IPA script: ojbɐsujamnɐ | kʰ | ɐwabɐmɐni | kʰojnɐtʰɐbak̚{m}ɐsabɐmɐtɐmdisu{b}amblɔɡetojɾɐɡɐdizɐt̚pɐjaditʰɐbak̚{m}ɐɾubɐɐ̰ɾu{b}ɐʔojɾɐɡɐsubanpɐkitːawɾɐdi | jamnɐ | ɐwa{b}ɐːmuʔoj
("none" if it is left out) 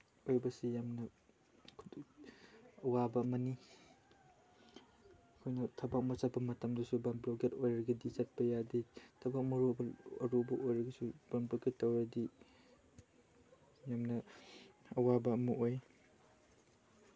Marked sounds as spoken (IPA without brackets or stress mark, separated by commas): m, b, m, b, b